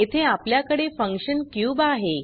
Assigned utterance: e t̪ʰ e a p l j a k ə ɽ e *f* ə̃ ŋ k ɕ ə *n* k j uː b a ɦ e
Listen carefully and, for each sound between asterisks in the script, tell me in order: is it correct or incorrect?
correct, correct

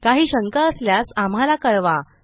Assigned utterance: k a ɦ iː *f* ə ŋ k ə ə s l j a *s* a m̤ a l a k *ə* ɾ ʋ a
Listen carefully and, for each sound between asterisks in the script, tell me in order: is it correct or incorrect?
incorrect, correct, correct

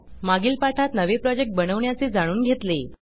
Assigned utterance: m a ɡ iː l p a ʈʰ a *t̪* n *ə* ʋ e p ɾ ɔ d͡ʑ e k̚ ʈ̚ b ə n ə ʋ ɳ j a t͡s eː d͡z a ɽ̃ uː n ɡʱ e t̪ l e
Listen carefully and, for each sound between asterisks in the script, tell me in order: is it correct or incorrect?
correct, correct

